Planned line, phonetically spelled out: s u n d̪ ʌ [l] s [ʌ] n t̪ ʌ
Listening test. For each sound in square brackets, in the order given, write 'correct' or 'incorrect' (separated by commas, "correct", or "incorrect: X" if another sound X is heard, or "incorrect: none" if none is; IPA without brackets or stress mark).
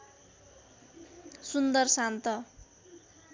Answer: incorrect: r, incorrect: a